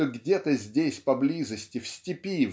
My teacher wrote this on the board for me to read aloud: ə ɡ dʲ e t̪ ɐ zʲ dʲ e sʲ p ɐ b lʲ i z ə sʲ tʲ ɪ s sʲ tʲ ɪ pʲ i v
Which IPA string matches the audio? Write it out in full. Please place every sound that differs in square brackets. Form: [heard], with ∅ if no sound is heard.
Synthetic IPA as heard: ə ɡ dʲ e t̪ [ə] zʲ dʲ e sʲ p ɐ b lʲ i z ə sʲ tʲ ɪ [f] sʲ tʲ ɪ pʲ i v